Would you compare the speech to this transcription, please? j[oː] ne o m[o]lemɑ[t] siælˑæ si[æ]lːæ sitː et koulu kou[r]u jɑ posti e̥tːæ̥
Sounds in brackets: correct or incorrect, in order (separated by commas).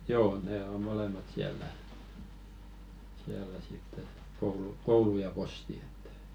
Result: correct, correct, correct, correct, incorrect